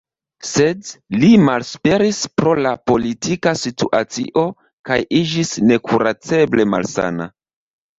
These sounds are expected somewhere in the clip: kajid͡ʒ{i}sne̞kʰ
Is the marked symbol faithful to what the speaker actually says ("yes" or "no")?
yes